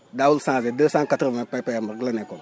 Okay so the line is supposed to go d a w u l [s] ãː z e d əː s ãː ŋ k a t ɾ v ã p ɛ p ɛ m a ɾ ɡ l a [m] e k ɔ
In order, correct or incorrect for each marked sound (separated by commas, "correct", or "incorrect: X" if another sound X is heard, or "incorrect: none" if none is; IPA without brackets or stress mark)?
correct, incorrect: n